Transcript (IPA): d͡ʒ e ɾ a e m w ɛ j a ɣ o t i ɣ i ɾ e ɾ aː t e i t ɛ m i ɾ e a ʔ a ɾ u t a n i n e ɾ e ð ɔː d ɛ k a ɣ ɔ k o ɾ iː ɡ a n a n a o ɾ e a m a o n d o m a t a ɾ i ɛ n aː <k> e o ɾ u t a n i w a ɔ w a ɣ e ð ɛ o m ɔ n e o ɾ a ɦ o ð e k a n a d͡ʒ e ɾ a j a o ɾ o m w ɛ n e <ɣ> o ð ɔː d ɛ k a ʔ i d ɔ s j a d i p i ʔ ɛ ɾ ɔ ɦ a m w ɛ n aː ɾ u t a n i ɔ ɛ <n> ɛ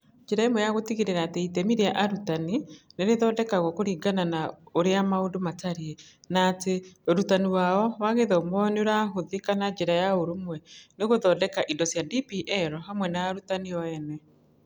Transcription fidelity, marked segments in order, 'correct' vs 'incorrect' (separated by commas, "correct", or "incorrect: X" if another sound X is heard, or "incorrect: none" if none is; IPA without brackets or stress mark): incorrect: t, correct, correct